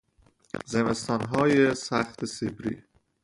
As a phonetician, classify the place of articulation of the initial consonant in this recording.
alveolar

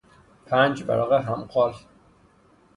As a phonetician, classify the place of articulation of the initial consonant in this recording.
labial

